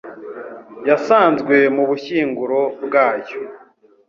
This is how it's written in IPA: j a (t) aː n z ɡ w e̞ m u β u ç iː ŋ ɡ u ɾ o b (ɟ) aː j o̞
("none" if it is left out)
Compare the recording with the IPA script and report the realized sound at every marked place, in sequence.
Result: s, ɡ

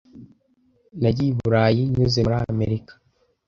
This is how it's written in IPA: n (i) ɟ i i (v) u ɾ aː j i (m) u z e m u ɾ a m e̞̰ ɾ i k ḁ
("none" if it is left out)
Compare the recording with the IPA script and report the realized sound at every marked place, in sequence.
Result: a, β, ɲ

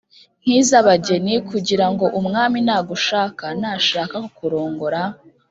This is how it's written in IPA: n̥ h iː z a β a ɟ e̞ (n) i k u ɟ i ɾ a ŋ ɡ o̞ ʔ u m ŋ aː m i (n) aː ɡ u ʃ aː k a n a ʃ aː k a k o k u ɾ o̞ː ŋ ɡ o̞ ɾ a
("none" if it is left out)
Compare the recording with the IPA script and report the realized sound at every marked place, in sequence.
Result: n, n

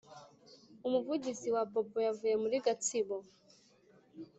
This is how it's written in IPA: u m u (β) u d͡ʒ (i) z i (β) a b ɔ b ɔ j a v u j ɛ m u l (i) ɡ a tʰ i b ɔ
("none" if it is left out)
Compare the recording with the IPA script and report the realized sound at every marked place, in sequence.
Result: v, i, w, i

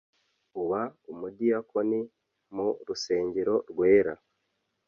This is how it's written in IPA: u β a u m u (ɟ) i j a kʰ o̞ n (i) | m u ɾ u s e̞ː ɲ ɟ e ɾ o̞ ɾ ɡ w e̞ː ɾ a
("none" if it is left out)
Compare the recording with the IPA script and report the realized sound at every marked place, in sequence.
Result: d, i

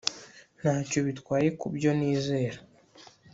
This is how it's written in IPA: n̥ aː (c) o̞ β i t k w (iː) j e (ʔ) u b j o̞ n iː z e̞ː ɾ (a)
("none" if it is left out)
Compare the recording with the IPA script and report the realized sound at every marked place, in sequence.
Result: c, aː, k, a

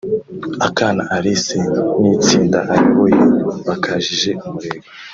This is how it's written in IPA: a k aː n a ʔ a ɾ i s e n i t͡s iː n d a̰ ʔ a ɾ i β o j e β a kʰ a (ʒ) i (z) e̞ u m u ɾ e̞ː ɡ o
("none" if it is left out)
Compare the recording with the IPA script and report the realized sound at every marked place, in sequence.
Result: ʒ, ʒ

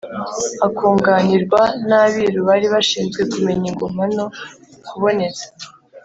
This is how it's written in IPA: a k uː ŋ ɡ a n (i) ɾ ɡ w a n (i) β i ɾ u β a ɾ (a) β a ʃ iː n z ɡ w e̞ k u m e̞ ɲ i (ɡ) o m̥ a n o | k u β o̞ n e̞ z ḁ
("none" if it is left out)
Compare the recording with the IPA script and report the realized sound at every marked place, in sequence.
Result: i, a, i, ɡ

